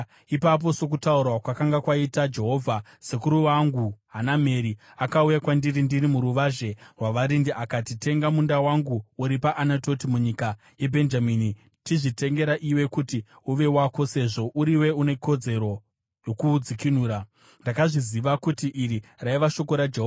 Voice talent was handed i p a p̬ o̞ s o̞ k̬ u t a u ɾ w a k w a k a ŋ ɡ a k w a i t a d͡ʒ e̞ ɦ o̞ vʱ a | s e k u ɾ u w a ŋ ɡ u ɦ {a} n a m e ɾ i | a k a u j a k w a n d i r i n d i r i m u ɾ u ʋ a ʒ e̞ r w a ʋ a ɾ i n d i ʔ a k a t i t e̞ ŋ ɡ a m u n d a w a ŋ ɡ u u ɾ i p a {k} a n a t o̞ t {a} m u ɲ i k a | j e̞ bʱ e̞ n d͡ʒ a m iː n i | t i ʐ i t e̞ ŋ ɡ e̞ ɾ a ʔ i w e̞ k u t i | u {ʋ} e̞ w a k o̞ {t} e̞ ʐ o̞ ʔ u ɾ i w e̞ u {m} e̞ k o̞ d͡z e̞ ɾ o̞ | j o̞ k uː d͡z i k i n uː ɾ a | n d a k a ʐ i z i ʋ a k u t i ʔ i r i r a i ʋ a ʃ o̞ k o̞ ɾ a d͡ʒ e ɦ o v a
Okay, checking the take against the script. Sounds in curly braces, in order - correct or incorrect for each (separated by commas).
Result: correct, incorrect, incorrect, correct, incorrect, incorrect